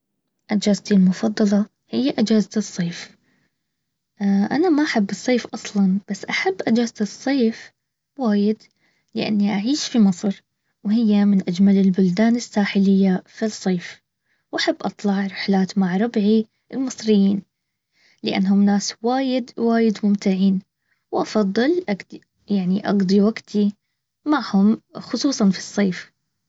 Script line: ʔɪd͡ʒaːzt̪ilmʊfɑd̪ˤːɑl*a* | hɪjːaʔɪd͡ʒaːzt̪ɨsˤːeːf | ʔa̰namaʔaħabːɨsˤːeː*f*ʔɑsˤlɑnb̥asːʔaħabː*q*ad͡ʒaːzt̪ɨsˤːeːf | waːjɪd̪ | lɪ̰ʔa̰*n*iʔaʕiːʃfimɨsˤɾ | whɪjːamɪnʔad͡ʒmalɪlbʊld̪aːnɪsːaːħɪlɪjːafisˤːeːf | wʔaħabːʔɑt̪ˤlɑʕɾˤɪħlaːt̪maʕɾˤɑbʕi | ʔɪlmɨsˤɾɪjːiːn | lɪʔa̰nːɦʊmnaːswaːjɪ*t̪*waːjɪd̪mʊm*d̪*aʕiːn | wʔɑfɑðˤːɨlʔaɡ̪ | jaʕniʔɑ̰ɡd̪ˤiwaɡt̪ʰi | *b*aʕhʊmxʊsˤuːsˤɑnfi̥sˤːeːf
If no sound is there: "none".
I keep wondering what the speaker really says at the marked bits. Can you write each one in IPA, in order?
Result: ɑ, f, ʔ, nː, d̪, t̪, m

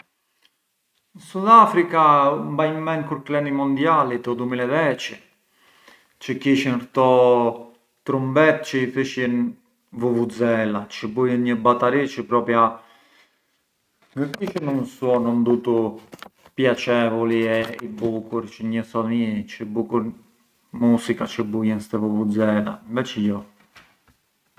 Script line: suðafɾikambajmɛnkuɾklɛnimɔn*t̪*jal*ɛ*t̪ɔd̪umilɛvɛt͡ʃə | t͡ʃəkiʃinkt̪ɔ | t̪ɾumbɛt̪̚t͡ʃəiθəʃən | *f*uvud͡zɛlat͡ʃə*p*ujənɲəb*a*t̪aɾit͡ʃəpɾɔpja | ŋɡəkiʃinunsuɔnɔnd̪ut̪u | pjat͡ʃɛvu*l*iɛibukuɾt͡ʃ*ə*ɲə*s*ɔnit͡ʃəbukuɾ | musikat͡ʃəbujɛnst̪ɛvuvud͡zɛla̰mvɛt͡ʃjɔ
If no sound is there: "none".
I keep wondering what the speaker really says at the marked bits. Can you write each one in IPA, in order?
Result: d̪, i, v, b, a, l, ə, s

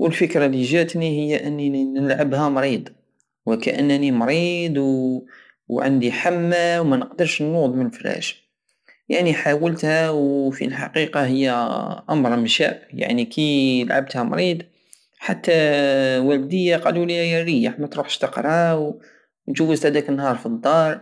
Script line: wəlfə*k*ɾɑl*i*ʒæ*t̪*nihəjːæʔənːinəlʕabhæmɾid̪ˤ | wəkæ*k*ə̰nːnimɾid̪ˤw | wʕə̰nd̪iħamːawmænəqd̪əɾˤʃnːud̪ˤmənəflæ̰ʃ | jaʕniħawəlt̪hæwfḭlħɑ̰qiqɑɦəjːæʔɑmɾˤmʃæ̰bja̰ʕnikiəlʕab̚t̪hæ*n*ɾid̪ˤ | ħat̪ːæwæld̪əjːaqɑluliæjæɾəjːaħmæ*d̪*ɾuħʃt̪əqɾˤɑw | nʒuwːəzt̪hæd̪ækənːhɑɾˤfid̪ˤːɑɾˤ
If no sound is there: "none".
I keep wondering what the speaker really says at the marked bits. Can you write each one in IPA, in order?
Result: k, i, t̪, ʔ, m, t̪

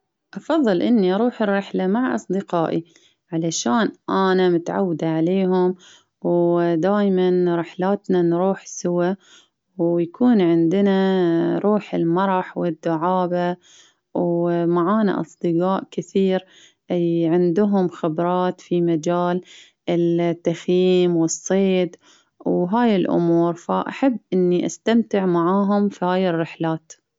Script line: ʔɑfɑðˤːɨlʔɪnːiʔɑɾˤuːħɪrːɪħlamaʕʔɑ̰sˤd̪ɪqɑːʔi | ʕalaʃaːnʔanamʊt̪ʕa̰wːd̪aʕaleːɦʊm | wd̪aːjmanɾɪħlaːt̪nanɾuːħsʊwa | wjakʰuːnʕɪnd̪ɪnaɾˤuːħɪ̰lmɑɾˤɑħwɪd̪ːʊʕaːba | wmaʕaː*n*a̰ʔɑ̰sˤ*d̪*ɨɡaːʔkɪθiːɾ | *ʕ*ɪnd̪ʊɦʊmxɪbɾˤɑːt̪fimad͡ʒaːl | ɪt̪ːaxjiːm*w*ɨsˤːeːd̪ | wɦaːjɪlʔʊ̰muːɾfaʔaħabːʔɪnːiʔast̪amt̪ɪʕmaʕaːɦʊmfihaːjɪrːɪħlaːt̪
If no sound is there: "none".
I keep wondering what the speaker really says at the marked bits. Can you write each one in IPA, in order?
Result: n, d̪, ʕ, w

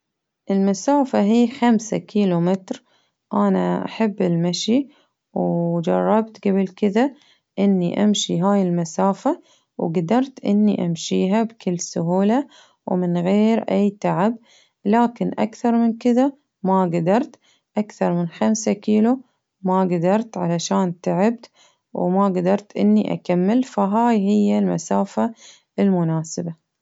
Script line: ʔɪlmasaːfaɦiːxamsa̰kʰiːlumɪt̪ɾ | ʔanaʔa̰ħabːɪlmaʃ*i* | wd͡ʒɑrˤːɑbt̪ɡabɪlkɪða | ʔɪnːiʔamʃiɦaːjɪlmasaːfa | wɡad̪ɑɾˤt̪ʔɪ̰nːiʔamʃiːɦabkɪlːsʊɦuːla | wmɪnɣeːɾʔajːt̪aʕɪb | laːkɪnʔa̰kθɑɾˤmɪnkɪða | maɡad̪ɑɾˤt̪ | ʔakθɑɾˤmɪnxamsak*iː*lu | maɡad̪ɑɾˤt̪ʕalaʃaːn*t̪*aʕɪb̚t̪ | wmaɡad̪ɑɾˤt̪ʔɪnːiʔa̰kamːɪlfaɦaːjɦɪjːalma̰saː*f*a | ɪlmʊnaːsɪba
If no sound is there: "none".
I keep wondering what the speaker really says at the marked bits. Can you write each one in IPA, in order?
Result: i, iː, t̪, f

